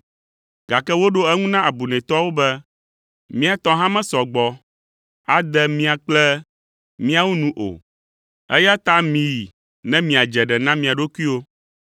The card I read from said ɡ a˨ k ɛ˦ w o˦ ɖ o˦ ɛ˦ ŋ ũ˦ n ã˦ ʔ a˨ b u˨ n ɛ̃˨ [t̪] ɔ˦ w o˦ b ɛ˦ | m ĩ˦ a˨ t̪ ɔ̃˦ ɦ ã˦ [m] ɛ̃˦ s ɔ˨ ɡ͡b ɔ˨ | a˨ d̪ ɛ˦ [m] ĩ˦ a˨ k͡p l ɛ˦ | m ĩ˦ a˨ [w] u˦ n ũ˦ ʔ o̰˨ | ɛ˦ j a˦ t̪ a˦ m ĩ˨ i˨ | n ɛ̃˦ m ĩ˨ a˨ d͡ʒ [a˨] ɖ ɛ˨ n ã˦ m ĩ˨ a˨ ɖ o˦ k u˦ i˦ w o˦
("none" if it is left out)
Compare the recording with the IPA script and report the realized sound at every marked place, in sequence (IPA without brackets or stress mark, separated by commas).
t̪, m, m, w, ɛ˨